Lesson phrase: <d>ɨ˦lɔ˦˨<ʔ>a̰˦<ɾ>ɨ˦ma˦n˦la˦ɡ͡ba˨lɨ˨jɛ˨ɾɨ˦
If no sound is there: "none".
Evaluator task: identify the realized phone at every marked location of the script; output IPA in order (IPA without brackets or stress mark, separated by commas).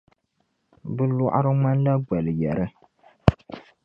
b, ʔ, ɾ